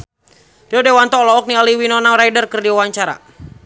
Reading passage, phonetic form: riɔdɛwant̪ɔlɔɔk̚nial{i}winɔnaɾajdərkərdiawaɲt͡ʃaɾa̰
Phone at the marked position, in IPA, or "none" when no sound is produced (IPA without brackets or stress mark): i